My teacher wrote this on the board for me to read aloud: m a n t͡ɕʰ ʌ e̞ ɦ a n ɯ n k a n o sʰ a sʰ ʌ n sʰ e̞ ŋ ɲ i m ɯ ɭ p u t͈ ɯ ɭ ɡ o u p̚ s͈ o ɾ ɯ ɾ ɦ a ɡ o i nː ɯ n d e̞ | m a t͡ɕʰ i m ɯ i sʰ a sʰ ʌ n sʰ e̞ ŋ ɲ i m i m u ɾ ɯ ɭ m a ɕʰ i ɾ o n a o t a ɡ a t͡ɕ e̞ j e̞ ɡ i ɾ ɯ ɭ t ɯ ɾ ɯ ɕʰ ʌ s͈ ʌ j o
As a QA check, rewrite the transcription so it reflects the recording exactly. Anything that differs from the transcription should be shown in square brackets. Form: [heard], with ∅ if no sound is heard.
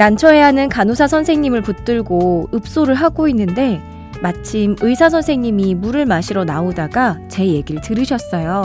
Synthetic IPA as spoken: [n] a n t͡ɕʰ ʌ e̞ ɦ a n ɯ n k a n o sʰ a sʰ ʌ n sʰ e̞ ŋ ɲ i m ɯ ɭ p u t͈ ɯ ɭ ɡ o [ɯ] p̚ s͈ o ɾ ɯ [ɭ] ɦ a ɡ o i nː ɯ n d e̞ | m a t͡ɕʰ i m ɯ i sʰ a sʰ ʌ n sʰ e̞ ŋ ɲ i m i m u ɾ ɯ ɭ m a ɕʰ i ɾ o n a o [d] a ɡ a t͡ɕ e̞ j e̞ ɡ i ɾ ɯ ɭ t ɯ ɾ ɯ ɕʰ ʌ s͈ ʌ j o